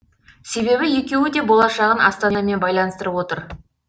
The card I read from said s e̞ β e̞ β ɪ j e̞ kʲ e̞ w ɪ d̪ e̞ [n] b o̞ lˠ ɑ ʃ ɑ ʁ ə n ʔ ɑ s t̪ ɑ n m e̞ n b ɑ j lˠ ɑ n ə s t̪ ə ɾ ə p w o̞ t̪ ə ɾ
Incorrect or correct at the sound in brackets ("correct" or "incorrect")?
incorrect